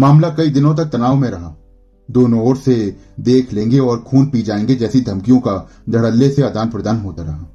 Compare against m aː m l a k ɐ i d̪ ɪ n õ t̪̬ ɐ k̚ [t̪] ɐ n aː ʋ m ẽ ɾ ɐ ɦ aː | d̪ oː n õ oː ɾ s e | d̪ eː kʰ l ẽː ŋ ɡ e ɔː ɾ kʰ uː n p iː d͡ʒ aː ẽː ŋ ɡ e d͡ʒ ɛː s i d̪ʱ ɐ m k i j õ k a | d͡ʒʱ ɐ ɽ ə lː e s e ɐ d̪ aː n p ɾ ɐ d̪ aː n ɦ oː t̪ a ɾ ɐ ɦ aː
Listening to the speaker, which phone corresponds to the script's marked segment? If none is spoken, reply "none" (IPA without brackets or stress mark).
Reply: t̪